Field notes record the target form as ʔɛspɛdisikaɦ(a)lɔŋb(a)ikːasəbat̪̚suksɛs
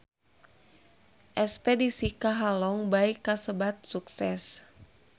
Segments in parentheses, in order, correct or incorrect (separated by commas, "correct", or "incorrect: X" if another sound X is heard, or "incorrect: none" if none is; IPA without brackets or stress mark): correct, correct